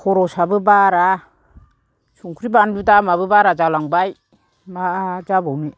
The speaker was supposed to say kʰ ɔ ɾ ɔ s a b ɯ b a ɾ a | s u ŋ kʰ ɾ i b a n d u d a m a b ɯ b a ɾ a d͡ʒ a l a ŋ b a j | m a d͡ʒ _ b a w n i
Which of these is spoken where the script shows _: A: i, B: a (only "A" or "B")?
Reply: B